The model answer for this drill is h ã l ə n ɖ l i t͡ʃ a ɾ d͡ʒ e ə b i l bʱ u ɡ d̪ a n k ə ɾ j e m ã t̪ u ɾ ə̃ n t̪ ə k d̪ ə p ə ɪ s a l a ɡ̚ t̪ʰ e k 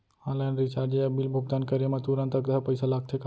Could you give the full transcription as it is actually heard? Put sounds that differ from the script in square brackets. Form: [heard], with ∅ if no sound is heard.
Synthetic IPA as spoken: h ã l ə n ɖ [ɾ] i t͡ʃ a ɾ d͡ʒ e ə b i l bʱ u ɡ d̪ a n k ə ɾ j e m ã t̪ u ɾ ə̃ n t̪ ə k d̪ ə p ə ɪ s a l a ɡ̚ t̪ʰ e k